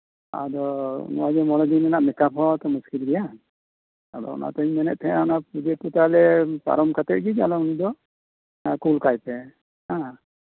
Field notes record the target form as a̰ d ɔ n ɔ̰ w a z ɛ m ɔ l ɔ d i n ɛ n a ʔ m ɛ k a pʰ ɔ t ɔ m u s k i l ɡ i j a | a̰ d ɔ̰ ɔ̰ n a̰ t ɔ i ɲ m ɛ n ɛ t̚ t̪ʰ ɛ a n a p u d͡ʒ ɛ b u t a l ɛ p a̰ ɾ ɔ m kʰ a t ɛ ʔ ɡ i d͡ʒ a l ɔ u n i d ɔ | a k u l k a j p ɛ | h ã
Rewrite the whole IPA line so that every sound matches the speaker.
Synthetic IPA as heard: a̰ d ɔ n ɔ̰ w a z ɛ m ɔ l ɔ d i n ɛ n a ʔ m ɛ k a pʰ ɔ t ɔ m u s k i l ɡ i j a | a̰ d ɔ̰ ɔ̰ n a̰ t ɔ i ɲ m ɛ n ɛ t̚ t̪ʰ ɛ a n a p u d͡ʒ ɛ p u t a l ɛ p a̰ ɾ ɔ m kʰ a t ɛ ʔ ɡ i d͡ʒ a l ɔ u n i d ɔ | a k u l k a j p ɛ | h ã